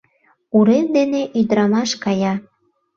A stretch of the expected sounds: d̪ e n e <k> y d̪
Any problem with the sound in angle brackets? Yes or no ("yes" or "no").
yes